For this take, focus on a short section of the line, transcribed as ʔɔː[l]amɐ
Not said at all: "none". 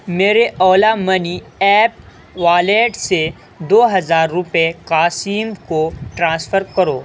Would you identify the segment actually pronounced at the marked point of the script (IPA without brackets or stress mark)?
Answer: l